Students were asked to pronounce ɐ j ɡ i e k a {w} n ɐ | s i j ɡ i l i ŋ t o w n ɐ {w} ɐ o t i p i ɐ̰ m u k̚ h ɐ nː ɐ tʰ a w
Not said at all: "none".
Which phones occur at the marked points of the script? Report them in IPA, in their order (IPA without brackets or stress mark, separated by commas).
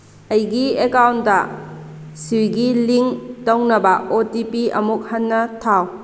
w, b